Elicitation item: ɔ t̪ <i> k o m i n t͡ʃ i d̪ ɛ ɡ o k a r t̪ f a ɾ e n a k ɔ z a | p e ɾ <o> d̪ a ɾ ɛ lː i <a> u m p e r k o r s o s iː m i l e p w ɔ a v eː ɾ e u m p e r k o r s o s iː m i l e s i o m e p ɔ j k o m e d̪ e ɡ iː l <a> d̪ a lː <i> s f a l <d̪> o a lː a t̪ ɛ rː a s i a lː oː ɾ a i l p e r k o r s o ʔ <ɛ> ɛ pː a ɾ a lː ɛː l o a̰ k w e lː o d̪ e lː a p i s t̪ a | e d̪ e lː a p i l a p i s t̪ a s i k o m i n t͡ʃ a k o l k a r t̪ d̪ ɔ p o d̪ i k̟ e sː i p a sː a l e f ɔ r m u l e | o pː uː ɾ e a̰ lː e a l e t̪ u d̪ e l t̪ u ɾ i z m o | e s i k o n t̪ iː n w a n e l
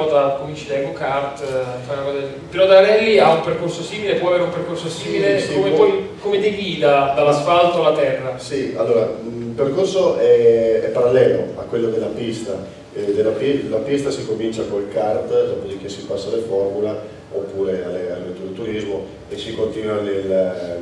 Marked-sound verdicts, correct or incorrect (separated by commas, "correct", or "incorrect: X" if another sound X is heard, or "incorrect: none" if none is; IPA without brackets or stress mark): incorrect: a, incorrect: ɔ, correct, correct, incorrect: a, incorrect: t̪, correct